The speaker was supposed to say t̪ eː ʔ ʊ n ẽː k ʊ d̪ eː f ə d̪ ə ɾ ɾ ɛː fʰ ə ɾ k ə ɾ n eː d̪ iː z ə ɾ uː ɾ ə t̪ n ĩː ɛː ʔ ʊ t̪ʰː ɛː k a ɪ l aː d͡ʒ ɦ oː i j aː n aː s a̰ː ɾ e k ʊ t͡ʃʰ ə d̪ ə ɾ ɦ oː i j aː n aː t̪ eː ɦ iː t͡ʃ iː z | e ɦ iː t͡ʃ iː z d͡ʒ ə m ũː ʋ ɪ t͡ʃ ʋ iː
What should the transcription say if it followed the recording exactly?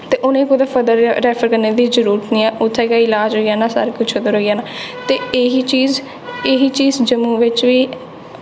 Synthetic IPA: t̪ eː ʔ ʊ n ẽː k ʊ d̪ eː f ə d̪ ə ɾ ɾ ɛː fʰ ə ɾ k ə ɾ n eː d̪ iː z ə ɾ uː ɾ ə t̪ n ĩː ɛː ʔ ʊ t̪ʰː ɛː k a ɪ l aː d͡ʒ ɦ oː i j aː n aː s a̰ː ɾ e k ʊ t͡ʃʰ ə d̪ ə ɾ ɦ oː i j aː n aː t̪ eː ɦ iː t͡ʃ iː z | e ɦ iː t͡ʃ iː z d͡ʒ ə m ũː ʋ ɪ t͡ʃ ʋ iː